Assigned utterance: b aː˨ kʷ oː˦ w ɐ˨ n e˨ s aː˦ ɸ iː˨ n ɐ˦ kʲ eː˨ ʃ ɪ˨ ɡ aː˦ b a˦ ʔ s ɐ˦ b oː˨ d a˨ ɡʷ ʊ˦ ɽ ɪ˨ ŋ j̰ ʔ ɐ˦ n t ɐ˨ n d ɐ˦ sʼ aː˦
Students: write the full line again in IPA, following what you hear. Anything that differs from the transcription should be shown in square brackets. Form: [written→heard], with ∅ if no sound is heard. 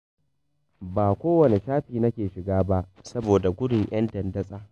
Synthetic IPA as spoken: b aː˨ kʷ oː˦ w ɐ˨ n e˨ [s→ʃ] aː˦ ɸ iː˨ n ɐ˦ kʲ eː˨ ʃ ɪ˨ ɡ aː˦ b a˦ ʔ s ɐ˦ b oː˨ d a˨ ɡʷ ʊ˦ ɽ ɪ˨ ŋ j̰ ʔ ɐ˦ n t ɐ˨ n d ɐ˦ sʼ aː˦

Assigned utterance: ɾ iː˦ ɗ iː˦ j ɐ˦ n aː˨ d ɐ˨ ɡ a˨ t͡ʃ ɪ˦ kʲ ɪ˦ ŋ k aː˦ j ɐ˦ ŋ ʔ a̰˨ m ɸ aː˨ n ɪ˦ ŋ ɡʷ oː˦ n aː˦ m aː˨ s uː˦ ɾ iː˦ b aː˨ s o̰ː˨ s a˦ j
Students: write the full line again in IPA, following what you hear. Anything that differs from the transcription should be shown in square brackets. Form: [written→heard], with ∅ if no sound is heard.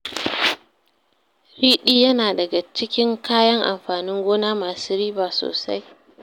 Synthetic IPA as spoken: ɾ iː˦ ɗ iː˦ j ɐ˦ n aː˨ d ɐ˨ ɡ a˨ t͡ʃ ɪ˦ kʲ ɪ˦ ŋ k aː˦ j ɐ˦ ŋ ʔ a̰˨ m ɸ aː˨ n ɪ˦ ŋ ɡʷ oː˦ n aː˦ m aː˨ s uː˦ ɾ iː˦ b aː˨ s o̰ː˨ s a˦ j

